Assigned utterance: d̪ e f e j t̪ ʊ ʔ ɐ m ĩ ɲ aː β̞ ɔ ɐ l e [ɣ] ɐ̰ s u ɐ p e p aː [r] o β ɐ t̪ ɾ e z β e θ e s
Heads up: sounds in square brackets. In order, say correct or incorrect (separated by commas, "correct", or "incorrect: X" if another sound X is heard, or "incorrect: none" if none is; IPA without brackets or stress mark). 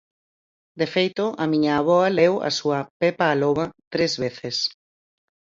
incorrect: w, incorrect: l